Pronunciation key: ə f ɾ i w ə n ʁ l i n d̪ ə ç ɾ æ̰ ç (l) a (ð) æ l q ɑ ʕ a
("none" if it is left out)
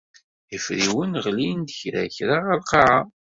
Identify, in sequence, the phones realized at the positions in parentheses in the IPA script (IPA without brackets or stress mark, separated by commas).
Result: ɾ, ʁ